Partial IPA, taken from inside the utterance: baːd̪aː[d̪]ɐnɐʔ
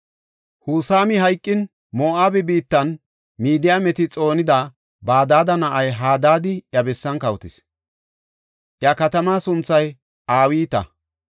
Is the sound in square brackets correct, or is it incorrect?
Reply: correct